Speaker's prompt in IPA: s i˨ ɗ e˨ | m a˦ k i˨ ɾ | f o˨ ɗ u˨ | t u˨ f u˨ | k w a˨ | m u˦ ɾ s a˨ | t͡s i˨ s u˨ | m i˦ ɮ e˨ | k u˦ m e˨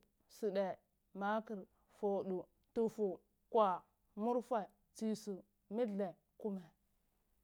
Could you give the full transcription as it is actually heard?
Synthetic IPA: s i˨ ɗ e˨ | m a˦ k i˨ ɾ | f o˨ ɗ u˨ | t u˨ f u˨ | k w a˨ | m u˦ ɾ f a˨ | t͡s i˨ s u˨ | m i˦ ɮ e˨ | k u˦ m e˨

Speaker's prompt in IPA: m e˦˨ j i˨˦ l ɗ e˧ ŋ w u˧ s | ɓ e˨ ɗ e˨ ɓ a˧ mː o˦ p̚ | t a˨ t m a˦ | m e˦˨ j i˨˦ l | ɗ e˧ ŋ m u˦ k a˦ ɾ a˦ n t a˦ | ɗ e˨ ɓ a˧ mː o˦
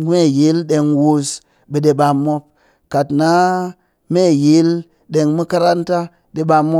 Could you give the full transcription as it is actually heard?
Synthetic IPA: m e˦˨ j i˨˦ l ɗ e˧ ŋ w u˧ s | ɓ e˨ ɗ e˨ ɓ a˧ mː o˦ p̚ | k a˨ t n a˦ | m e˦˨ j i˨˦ l | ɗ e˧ ŋ m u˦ k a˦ ɾ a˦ n t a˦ | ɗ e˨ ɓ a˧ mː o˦

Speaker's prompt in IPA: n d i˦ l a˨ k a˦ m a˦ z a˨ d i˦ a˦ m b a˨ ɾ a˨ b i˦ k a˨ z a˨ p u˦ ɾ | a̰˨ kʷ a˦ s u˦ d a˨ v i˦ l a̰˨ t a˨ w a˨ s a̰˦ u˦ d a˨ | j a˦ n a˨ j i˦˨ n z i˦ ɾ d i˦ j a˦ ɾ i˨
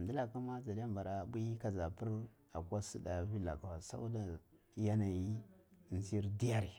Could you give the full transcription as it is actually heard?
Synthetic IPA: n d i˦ l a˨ k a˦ m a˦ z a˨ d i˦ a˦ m b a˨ ɾ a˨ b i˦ k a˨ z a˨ p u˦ ɾ | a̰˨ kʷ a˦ s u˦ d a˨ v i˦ l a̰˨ k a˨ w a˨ s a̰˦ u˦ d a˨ | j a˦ n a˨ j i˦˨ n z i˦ ɾ d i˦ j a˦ ɾ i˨

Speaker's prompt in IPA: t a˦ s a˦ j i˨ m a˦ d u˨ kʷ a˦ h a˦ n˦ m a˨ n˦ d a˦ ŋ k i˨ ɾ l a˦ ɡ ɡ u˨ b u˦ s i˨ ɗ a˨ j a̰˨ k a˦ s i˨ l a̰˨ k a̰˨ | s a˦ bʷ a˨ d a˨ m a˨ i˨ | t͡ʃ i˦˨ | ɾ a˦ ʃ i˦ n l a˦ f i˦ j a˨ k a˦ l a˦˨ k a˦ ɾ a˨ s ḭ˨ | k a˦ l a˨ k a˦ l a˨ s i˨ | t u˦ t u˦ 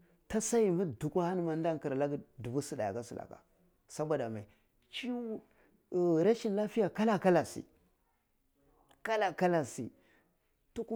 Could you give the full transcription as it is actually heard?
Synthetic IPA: t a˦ s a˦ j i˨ m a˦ d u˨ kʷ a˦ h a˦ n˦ m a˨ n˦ d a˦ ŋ k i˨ ɾ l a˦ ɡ d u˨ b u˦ s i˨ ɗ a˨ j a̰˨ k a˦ s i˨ l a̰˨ k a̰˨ | s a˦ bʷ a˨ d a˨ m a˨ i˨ | t͡ʃ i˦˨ | ɾ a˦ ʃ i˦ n l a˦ f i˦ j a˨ k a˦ l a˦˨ k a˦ l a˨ s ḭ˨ | k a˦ l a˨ k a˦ l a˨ s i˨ | t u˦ k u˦

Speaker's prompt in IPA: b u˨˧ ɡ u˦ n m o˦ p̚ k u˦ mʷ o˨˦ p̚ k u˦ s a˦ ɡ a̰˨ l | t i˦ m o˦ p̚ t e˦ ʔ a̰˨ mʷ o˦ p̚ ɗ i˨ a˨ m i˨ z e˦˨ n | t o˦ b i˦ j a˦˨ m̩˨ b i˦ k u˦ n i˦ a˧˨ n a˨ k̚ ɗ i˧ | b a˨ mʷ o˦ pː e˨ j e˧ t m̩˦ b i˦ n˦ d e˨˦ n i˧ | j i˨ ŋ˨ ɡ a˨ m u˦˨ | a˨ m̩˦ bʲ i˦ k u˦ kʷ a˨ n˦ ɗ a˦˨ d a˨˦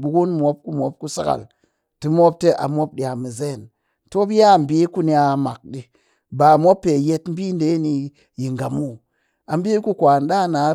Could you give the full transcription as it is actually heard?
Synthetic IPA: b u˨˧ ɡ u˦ n m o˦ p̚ k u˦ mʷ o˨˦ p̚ k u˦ s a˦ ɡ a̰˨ l | t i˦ m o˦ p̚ t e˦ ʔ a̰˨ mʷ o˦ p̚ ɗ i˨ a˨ m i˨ z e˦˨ n | t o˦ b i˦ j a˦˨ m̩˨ b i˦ k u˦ n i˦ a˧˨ m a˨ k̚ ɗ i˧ | b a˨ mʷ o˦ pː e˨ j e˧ t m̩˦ b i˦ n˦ d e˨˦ n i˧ | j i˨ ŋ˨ ɡ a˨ m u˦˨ | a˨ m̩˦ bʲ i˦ k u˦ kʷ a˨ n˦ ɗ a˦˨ n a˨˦

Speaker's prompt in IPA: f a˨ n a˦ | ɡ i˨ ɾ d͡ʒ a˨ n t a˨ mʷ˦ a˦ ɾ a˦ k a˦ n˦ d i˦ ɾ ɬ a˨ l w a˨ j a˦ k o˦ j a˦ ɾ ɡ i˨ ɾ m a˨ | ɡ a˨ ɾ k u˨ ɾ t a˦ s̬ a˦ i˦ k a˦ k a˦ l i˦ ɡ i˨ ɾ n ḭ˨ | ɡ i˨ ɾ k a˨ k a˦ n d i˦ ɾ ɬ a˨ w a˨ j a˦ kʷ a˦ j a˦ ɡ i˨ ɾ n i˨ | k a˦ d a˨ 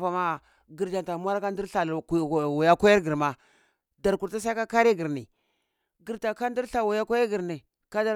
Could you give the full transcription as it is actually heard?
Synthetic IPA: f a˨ m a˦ | ɡ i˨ ɾ d͡ʒ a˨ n t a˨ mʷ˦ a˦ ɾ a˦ k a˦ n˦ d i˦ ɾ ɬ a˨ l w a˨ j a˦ k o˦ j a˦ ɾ ɡ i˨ ɾ m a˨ | d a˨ ɾ k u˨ ɾ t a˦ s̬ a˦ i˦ k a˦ k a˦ ɾ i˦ ɡ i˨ ɾ n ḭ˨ | ɡ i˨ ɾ t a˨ k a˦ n d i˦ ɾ ɬ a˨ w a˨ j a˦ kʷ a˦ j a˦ ɡ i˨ ɾ n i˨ | k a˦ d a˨

